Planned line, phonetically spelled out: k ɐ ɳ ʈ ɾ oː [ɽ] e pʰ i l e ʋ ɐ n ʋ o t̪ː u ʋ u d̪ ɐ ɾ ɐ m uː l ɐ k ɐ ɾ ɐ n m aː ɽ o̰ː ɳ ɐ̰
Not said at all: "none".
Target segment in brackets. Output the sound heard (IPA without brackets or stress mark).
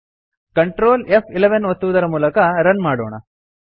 l